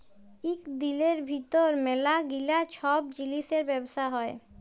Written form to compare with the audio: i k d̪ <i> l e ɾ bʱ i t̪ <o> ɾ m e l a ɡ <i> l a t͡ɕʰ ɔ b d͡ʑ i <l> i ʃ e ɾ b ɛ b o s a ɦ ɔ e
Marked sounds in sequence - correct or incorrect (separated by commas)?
correct, correct, correct, correct